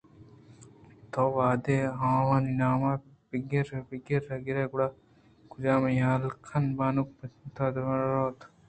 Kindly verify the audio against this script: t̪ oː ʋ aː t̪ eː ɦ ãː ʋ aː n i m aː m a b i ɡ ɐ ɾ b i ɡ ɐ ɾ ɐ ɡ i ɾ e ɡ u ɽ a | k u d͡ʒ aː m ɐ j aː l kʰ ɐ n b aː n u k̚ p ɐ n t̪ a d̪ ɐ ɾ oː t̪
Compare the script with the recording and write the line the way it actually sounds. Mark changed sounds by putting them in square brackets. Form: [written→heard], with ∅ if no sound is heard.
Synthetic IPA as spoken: t̪ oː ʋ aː [t̪→d̪] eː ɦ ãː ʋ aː n i [m→n] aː m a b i ɡ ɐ ɾ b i ɡ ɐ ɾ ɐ ɡ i ɾ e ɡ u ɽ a | k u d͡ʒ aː m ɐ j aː l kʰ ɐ n b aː n u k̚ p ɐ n t̪ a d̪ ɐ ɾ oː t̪

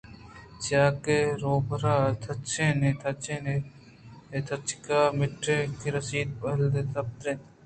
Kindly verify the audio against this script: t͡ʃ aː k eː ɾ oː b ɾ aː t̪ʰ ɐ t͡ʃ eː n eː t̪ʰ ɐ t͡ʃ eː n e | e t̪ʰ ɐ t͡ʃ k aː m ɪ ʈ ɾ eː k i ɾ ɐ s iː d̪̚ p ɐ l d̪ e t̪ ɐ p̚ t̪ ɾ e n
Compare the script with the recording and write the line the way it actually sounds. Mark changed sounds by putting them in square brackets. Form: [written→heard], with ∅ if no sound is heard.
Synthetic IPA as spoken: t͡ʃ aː k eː ɾ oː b ɾ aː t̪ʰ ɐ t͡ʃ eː n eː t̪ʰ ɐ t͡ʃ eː n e | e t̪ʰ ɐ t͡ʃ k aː m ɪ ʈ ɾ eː k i ɾ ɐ s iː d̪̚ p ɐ l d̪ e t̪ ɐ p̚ t̪ ɾ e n

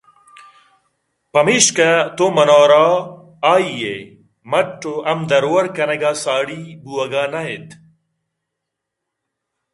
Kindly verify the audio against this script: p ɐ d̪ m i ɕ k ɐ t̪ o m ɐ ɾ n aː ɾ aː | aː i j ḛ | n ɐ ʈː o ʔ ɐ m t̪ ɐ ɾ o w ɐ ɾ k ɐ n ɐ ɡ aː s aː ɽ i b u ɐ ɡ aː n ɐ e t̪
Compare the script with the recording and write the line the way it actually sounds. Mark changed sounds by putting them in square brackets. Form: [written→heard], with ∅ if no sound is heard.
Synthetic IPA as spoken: p ɐ [d̪→∅] m i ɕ k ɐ t̪ o m ɐ [ɾ→∅] n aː ɾ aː | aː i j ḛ | [n→m] ɐ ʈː o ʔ ɐ m [t̪→d̪] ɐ ɾ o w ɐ ɾ k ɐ n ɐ ɡ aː s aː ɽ i b u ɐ ɡ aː n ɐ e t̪

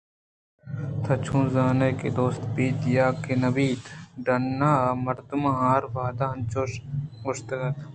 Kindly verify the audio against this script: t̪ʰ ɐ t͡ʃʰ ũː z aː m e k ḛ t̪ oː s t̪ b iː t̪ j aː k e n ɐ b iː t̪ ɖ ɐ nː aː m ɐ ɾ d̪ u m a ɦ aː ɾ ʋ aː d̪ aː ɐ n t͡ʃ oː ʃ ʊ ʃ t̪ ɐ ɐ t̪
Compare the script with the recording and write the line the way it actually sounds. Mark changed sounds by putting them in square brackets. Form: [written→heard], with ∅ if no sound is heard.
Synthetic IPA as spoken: t̪ʰ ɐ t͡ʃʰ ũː z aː [m→n] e k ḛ [t̪→d̪] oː s t̪ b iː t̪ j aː k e n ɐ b iː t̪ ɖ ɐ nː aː m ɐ ɾ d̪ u m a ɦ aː ɾ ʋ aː d̪ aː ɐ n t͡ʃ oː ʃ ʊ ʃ t̪ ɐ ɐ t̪

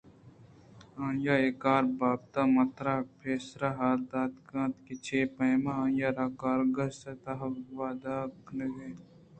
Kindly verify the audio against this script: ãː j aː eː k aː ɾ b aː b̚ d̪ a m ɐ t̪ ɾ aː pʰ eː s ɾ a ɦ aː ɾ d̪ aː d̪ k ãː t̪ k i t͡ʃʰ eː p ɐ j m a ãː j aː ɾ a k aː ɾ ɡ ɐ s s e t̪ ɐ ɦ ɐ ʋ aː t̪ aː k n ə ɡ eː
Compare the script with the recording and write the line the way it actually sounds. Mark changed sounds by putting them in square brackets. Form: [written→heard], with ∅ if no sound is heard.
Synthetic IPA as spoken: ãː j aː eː k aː ɾ b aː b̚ [d̪→t̪] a m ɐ t̪ ɾ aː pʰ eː s ɾ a ɦ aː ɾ d̪ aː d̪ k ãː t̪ k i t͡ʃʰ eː p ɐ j m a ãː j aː ɾ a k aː ɾ ɡ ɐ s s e t̪ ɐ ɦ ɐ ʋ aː [t̪→d̪] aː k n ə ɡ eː

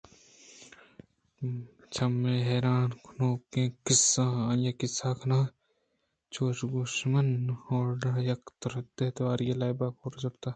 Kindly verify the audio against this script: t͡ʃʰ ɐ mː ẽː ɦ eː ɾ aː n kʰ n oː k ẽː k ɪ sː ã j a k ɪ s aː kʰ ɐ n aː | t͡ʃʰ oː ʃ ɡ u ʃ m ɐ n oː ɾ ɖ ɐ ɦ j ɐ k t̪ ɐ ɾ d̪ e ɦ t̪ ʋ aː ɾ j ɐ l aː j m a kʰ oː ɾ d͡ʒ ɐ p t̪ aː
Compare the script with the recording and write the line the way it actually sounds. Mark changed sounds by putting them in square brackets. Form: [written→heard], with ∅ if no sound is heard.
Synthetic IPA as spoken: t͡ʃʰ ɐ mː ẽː ɦ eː ɾ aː n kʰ n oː k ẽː k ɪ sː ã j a k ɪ s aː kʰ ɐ n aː | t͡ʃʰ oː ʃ ɡ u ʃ m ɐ n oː ɾ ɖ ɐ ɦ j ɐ k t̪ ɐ ɾ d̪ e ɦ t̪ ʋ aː ɾ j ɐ l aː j [m→b] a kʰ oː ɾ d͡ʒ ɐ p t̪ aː

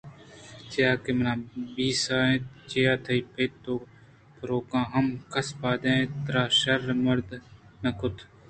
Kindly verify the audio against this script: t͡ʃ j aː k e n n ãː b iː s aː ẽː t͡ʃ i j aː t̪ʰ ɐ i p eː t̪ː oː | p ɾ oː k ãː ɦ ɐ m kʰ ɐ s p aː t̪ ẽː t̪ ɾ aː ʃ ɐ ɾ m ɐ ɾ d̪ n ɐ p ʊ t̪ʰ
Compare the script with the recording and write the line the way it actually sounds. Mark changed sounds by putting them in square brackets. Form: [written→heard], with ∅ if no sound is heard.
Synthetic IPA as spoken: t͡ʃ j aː k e [n→m] n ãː b iː s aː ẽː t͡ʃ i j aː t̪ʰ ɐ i p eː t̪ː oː | p ɾ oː k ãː ɦ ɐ m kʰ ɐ s p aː [t̪→d̪] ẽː t̪ ɾ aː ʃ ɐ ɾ m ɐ ɾ d̪ n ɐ [p→k] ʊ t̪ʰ

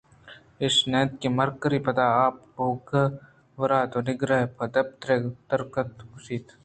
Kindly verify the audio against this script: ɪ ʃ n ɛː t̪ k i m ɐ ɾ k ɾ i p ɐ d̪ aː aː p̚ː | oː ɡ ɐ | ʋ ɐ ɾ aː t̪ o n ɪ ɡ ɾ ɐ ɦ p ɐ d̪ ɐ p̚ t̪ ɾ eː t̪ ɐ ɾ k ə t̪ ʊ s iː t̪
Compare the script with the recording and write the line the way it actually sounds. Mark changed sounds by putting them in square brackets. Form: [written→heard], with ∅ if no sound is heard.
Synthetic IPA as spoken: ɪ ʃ n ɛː t̪ k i m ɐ ɾ k ɾ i p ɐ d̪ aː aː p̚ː | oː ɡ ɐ | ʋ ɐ ɾ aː t̪ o n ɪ ɡ ɾ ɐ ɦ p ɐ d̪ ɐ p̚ t̪ ɾ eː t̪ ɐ ɾ k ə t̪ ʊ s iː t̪

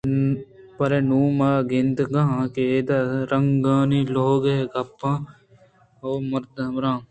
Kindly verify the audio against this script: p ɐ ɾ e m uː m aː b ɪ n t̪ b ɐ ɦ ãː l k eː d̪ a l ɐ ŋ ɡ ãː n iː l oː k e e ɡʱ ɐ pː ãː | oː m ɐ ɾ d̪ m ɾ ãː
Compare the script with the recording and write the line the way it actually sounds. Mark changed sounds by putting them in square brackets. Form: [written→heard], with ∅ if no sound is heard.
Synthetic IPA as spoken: p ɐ ɾ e [m→n] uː m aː [b→ɡ] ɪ n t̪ [b→ɡ] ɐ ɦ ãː [l→∅] k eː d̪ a [l→ɾ] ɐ ŋ ɡ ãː n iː l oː [k→ɡ] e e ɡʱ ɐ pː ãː | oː m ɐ ɾ d̪ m ɾ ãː

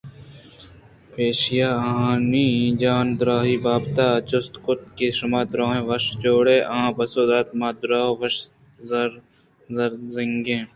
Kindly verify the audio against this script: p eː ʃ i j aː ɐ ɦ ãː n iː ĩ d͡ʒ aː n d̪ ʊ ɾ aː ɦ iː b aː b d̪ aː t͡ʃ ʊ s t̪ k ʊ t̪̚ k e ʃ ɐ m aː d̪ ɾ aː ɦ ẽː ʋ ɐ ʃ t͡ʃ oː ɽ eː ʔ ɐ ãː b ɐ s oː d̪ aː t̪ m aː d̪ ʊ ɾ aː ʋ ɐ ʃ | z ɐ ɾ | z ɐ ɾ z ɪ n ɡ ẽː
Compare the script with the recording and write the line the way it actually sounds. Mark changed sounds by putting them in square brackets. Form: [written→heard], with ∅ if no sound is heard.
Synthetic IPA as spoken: p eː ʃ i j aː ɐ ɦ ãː n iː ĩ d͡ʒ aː n d̪ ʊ ɾ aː ɦ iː b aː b [d̪→t̪] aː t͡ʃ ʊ s t̪ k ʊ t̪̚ k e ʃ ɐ m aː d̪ ɾ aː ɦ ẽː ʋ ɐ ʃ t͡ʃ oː ɽ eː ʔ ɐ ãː b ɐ s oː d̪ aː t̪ m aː d̪ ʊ ɾ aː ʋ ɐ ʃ | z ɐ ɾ | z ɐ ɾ z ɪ [n→ŋ] ɡ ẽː

